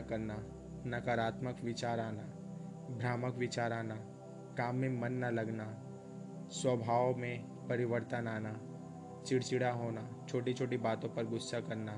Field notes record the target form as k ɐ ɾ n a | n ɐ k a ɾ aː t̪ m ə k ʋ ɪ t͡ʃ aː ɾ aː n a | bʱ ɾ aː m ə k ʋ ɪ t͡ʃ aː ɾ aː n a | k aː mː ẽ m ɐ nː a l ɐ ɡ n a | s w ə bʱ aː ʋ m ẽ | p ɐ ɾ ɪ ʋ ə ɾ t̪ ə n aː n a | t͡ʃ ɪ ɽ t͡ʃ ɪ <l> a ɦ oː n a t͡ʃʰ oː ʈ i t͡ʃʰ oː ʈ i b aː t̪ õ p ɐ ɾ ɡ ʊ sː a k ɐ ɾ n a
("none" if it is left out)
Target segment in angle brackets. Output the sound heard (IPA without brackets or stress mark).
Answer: ɽ